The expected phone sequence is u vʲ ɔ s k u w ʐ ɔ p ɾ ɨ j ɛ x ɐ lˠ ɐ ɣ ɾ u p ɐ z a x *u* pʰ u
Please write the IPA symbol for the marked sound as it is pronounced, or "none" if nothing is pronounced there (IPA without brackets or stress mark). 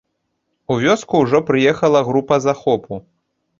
ɔ